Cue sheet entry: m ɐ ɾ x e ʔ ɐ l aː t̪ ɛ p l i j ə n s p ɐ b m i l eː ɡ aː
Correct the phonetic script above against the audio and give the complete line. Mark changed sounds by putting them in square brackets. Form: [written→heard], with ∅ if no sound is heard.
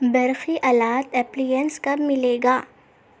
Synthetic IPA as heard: [m→b] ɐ ɾ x [e→i] ʔ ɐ l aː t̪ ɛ p l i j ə n s [p→k] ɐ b m [i→ɪ] l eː ɡ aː